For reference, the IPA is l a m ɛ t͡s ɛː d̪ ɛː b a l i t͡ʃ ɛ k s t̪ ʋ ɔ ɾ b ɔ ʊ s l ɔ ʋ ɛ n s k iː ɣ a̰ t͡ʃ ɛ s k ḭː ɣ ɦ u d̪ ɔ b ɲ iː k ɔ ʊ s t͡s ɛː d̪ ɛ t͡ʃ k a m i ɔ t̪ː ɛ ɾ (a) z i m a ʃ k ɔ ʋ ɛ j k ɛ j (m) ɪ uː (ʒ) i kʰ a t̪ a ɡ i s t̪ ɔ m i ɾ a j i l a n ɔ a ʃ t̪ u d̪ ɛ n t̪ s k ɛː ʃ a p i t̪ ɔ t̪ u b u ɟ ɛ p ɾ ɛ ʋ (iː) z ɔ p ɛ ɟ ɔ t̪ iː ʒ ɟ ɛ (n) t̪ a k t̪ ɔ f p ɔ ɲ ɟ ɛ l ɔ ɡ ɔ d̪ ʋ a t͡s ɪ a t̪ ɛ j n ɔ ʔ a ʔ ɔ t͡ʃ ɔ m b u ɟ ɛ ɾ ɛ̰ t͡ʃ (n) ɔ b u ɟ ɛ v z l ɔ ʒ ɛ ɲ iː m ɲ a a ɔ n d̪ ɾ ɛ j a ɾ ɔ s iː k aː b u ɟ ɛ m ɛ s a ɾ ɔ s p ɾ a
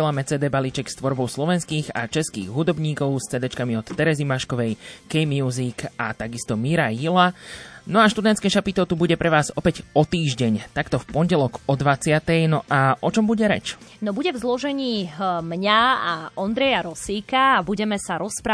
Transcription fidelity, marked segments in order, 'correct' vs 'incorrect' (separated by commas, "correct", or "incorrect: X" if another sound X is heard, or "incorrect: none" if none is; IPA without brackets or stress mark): incorrect: ɛ, correct, incorrect: z, incorrect: aː, incorrect: ɲ, correct